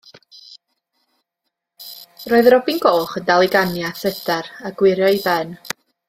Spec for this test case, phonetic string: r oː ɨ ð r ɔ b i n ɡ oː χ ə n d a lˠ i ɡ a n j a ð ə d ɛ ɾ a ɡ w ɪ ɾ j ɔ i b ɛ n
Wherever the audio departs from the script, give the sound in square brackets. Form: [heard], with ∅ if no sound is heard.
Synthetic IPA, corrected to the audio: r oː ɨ ð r ɔ b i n ɡ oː χ ə n d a lˠ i ɡ a n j a [θ] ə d [a] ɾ a ɡ w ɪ ɾ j ɔ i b ɛ n